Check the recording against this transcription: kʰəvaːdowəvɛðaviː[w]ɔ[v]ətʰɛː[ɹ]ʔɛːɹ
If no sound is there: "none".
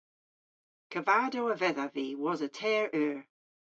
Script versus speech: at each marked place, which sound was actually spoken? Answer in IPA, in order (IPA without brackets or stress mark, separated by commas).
w, z, ɹ